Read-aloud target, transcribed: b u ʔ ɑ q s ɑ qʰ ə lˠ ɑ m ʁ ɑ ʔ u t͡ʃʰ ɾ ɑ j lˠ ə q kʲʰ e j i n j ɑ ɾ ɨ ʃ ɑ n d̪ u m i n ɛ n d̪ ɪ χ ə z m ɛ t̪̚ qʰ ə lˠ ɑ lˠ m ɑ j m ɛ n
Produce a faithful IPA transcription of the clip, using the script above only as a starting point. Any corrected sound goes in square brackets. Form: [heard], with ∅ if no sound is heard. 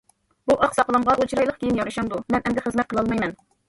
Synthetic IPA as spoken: b u ʔ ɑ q s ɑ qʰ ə lˠ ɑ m ʁ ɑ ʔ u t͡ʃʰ ɾ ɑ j lˠ ə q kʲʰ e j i n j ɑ ɾ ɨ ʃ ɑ n d̪ u m [ɛ] n ɛ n d̪ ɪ χ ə z m ɛ t̪̚ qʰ ə lˠ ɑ lˠ m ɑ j m ɛ n